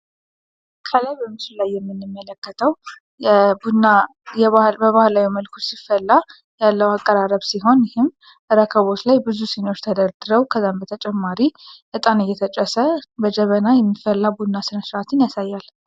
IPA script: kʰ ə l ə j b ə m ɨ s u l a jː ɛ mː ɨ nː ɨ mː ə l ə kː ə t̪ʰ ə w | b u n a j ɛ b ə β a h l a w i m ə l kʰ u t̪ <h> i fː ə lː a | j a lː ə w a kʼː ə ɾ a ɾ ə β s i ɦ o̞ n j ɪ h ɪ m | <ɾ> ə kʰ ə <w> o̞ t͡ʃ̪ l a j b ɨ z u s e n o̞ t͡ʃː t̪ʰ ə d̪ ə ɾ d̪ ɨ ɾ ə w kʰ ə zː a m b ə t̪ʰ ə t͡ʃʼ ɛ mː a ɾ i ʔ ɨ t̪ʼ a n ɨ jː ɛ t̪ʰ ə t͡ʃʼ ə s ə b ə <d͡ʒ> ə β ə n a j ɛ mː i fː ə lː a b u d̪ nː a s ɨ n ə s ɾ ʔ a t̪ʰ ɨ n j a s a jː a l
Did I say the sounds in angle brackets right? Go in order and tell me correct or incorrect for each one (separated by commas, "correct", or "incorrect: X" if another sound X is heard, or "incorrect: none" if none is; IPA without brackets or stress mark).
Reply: incorrect: s, correct, incorrect: β, correct